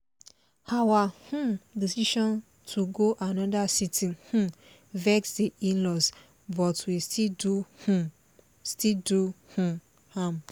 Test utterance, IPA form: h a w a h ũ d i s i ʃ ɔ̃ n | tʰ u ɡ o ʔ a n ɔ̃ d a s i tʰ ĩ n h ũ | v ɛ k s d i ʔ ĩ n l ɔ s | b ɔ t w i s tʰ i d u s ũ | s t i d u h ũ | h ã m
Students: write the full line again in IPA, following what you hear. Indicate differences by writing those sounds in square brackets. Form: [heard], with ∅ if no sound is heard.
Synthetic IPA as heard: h a w a h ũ d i s i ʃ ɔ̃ n | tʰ u ɡ o ʔ a n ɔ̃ d a s i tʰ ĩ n h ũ | v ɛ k s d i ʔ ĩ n l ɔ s | b ɔ t w i s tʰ i d u [h] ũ | s t i d u h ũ | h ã m